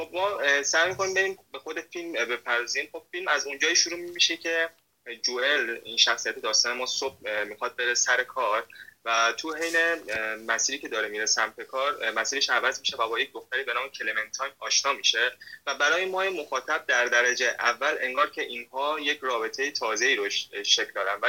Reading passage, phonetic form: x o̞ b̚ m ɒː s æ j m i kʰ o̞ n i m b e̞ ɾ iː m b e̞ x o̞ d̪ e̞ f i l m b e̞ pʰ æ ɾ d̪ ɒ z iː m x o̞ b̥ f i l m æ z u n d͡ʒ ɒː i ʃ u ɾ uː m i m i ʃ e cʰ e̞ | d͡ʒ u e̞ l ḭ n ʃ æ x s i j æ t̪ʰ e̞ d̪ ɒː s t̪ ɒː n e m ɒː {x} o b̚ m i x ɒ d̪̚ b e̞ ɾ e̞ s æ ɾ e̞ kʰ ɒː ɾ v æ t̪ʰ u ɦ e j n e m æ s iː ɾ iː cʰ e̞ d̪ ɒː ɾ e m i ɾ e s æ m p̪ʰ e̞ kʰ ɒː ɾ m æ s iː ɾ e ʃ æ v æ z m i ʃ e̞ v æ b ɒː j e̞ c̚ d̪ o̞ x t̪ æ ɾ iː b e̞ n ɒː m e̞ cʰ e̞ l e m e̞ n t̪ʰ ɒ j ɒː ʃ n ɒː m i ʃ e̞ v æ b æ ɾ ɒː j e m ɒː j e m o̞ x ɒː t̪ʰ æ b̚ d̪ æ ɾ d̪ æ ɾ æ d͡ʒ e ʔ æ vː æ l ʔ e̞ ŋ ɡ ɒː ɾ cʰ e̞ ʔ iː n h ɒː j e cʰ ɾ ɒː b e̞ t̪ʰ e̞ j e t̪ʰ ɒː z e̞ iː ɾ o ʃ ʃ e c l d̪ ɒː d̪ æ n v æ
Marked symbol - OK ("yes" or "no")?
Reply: no